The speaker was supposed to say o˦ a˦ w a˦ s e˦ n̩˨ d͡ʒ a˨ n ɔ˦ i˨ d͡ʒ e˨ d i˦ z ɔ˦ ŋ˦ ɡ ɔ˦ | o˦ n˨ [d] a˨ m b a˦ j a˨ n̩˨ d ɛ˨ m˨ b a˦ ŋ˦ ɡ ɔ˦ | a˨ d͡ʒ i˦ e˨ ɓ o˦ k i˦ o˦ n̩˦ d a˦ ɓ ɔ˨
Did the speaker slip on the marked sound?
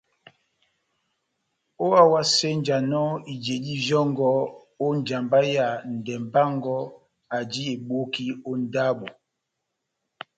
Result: yes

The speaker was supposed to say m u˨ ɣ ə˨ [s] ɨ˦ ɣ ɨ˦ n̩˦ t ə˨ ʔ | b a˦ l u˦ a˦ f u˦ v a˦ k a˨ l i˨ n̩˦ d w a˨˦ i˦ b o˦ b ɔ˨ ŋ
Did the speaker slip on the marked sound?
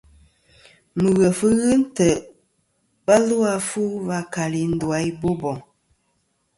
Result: yes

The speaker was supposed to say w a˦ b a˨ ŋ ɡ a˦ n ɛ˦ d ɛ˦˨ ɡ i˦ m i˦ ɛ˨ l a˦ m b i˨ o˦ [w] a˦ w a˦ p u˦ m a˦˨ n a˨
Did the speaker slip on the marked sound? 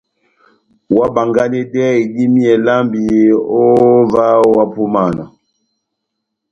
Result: yes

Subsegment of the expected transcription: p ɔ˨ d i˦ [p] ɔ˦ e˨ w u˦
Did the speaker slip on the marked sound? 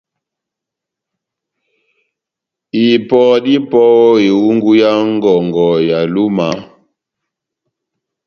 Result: no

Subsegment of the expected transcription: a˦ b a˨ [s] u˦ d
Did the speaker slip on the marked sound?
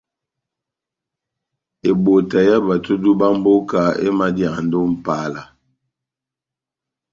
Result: yes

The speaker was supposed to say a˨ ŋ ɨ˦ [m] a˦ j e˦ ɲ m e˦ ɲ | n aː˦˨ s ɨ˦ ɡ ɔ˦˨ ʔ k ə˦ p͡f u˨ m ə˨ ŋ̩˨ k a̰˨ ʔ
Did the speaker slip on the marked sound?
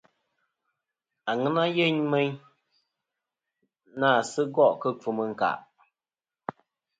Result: yes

